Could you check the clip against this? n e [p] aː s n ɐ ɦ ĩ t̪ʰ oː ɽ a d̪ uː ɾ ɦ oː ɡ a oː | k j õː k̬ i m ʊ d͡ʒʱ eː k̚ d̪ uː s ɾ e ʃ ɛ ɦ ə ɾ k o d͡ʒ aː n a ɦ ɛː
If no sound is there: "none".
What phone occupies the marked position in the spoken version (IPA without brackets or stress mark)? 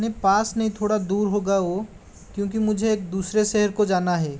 p